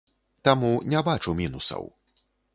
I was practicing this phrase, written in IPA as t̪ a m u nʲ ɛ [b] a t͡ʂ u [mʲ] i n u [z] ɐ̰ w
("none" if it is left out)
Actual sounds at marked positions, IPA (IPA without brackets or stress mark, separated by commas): b, mʲ, s